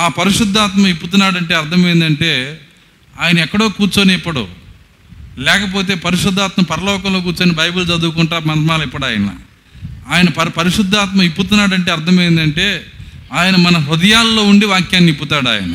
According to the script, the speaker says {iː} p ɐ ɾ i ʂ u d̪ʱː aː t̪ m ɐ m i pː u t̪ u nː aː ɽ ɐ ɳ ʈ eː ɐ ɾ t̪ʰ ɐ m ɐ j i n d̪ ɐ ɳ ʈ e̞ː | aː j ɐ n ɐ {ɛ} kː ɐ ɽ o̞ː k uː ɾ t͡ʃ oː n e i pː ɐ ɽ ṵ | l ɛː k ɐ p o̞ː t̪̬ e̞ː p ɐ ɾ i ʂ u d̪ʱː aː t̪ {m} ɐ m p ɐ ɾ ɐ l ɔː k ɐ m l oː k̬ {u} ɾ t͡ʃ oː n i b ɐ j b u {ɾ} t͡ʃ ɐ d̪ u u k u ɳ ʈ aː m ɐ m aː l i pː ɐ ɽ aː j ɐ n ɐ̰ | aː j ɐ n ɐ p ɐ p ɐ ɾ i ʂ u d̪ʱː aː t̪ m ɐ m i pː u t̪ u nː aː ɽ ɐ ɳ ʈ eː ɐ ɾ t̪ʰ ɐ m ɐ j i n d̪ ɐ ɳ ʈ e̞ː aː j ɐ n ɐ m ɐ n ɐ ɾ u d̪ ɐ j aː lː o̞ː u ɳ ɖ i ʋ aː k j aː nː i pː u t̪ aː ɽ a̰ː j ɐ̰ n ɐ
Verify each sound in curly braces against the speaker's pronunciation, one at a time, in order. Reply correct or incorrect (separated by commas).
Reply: incorrect, correct, correct, incorrect, incorrect